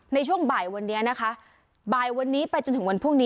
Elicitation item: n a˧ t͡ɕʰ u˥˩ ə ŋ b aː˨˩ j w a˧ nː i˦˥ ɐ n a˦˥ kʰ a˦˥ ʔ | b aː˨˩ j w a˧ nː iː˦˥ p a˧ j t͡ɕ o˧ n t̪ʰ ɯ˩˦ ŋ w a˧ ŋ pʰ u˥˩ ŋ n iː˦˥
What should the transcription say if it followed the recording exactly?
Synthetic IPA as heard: n a˧ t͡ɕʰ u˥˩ ə ŋ b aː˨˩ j w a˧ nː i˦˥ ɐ n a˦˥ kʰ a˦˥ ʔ | b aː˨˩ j w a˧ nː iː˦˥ p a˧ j t͡ɕ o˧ n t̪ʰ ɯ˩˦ ŋ w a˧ n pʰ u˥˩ ŋ n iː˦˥

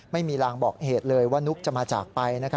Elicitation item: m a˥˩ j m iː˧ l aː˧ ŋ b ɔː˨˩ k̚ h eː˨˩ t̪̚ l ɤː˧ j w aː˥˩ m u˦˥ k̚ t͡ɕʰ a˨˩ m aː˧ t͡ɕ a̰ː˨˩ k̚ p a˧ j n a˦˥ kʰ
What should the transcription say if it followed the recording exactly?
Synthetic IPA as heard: m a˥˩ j m iː˧ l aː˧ ŋ b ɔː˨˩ k̚ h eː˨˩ t̪̚ l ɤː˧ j w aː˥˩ n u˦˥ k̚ t͡ɕ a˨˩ m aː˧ t͡ɕ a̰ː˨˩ k̚ p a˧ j n a˦˥ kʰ

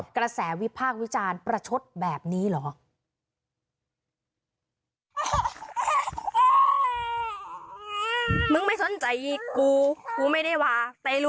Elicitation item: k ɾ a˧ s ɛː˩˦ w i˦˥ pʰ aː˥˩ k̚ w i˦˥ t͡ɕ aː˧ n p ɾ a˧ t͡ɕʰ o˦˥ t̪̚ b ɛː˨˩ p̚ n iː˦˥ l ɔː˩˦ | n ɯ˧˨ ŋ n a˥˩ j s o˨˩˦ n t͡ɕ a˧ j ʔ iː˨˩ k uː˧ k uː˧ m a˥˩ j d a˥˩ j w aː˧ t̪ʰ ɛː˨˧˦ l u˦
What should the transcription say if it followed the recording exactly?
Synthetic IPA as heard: k ɾ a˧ s ɛː˩˦ w i˦˥ pʰ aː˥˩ k̚ w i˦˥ t͡ɕ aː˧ n p ɾ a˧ t͡ɕʰ o˦˥ t̪̚ b ɛː˨˩ p̚ n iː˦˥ l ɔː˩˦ | m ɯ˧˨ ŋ m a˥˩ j s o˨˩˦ n t͡ɕ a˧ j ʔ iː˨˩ k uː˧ k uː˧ m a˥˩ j d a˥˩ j w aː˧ t̪ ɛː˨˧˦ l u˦

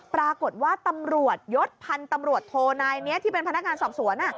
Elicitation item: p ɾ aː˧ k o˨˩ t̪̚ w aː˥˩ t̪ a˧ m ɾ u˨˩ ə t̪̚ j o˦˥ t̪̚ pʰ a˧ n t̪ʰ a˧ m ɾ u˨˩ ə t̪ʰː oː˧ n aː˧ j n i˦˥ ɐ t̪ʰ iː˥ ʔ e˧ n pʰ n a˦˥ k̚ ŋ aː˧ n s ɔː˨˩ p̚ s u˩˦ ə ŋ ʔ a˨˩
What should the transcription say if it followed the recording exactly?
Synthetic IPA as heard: p ɾ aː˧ k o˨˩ t̪̚ w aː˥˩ t̪ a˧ m ɾ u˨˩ ə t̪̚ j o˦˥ t̪̚ pʰ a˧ n t̪ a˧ m ɾ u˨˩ ə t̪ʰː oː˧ n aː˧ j n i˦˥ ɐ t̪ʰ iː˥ p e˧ n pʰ n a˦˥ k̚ ŋ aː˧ n s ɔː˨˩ p̚ s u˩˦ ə n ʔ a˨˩

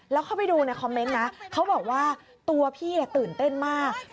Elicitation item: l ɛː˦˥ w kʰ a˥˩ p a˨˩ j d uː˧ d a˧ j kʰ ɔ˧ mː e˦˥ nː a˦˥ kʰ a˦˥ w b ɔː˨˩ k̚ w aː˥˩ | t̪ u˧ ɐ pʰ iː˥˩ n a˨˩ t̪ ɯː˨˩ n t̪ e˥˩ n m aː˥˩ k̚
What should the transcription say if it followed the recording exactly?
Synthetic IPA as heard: l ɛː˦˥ w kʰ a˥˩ p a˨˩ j d uː˧ n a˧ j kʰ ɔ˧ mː e˦˥ nː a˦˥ kʰ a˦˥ w b ɔː˨˩ k̚ w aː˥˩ | t̪ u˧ ɐ pʰ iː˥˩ n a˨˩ t̪ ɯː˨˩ n t̪ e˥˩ n m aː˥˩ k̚

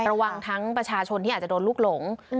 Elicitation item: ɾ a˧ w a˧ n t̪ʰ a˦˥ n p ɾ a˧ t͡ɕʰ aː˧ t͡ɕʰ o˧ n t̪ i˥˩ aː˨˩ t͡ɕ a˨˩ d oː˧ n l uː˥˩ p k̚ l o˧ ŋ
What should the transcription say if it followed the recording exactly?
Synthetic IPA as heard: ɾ a˧ w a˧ ŋ t̪ʰ a˦˥ ŋ p ɾ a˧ t͡ɕʰ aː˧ t͡ɕʰ o˧ n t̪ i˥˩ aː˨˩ t͡ɕ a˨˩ d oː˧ n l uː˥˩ k̚ l o˩˦ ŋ

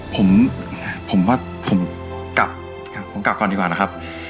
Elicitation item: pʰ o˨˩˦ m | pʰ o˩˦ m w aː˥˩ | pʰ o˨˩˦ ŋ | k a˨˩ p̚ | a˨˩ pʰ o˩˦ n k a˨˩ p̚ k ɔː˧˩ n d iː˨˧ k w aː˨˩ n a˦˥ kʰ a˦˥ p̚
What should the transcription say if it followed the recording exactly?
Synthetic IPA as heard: pʰ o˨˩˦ m | pʰ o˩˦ m w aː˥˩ | pʰ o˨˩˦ m | k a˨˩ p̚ | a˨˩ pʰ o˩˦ m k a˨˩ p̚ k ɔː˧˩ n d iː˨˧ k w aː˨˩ n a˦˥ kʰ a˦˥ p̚

